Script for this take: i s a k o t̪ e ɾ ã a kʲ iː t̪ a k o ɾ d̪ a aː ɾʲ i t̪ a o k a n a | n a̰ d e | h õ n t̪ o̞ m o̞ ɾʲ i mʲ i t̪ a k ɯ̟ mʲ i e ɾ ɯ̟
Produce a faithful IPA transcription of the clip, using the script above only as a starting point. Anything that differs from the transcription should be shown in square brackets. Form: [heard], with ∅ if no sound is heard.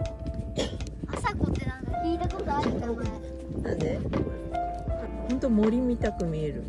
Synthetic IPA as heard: [a] s a k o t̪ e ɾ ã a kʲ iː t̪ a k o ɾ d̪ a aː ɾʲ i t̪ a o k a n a | n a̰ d e | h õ n t̪ o̞ m o̞ ɾʲ i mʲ i t̪ a k ɯ̟ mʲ i e ɾ ɯ̟